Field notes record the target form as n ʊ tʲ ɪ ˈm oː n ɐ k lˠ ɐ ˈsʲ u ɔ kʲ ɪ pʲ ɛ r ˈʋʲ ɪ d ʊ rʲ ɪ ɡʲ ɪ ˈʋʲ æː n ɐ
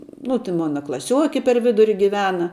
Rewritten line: n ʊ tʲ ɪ ˈm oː n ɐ k lˠ ɐ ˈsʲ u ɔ kʲ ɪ pʲ ɛ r ˈʋʲ ɪ d ʊ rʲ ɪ ɡʲ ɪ ˈʋʲ æː n ɐ